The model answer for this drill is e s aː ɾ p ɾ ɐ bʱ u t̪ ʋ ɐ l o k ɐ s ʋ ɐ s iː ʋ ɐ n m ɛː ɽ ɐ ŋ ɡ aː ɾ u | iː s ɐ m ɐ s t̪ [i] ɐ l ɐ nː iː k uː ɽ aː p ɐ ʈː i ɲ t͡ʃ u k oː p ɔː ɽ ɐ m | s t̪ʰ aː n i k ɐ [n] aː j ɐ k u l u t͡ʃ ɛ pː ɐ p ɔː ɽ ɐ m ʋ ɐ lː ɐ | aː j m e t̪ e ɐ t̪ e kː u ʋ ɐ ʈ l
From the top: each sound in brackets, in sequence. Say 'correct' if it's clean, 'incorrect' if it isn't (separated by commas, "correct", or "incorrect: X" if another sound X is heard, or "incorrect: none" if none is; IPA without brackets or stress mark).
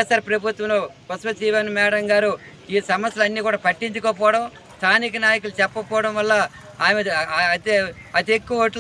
incorrect: j, correct